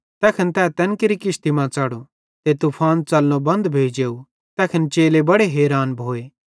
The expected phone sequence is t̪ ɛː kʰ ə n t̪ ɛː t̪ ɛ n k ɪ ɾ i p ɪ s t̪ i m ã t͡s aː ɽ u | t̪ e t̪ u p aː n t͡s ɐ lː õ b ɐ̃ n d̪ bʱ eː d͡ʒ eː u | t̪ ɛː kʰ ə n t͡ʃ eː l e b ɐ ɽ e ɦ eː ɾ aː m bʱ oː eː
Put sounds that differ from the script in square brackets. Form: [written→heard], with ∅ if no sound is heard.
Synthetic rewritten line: t̪ ɛː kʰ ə n t̪ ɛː t̪ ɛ n k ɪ ɾ i [p→k] ɪ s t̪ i m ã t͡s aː ɽ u | t̪ e t̪ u [p→pʰ] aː n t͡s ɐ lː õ b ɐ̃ n d̪ bʱ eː d͡ʒ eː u | t̪ ɛː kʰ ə n t͡ʃ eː l e b ɐ ɽ e ɦ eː ɾ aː [m→n] bʱ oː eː